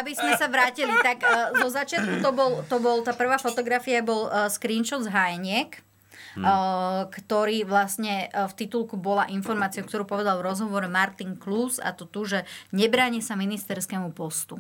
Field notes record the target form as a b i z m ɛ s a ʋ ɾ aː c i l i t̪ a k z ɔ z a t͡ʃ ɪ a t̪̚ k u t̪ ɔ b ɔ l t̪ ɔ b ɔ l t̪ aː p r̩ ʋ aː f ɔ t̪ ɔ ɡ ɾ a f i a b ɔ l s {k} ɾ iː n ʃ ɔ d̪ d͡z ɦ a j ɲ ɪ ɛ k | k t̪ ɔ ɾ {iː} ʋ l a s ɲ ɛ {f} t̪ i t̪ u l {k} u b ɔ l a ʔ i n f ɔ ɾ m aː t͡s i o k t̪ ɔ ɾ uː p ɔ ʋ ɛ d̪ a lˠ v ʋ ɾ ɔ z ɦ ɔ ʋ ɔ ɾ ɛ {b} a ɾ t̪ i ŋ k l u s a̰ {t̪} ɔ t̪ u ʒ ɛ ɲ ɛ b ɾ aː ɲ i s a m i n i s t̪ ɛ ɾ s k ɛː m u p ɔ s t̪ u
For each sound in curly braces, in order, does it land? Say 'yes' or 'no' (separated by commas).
yes, yes, yes, yes, no, yes